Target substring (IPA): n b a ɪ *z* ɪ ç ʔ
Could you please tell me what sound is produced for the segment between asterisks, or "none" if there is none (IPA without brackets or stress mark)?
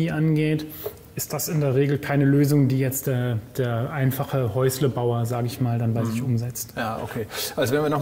z